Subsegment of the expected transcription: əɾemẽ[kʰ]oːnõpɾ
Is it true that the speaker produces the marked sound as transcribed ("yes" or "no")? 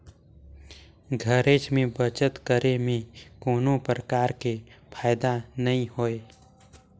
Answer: no